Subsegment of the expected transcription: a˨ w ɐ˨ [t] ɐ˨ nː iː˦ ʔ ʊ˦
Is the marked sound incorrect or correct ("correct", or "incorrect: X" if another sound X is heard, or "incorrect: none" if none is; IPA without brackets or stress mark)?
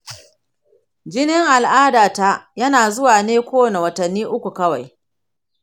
correct